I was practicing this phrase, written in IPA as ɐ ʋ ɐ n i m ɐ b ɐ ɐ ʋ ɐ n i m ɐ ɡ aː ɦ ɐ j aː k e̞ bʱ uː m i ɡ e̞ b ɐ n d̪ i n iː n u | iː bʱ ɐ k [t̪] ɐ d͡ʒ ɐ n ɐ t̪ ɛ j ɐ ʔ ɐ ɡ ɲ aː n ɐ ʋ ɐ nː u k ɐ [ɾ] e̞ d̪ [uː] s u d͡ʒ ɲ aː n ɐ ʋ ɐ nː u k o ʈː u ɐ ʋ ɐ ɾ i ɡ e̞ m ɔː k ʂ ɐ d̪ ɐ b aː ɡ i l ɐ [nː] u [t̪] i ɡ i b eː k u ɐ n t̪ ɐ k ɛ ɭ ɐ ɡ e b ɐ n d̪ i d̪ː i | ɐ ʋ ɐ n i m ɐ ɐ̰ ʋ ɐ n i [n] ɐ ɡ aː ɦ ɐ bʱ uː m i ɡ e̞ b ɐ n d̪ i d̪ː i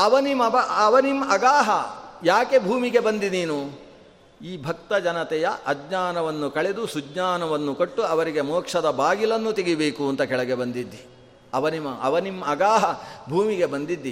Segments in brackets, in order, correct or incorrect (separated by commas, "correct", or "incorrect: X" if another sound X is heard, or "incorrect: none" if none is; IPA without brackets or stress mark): correct, incorrect: ɭ, incorrect: u, correct, correct, incorrect: m